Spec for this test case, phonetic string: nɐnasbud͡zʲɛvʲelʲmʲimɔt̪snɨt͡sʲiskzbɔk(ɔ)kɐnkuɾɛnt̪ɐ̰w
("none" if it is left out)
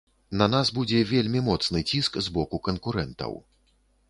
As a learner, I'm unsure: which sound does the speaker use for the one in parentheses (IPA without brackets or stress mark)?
u